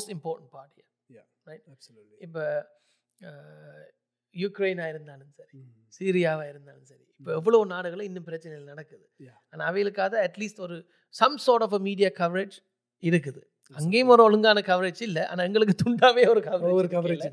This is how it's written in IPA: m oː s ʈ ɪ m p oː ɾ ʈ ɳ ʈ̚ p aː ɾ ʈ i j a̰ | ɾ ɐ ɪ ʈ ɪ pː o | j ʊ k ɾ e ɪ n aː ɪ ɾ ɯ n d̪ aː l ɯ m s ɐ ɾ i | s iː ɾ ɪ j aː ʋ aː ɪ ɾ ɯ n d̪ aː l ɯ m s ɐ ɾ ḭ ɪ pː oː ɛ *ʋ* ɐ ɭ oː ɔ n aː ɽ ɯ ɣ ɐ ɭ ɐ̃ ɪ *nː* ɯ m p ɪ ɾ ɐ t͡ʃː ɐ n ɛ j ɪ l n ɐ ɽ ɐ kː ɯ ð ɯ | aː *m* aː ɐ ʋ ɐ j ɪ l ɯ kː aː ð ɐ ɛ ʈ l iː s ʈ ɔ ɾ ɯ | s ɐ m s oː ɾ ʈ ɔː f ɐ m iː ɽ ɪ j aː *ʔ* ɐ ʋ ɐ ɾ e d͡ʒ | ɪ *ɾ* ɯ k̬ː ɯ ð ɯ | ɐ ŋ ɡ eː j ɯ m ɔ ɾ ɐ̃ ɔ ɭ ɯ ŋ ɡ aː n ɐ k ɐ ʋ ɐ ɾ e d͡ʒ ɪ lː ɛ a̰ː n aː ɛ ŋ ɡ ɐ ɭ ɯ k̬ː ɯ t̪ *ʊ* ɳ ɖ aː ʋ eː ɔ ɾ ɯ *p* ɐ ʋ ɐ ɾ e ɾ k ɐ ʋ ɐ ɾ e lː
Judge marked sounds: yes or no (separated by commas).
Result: no, yes, no, no, yes, yes, no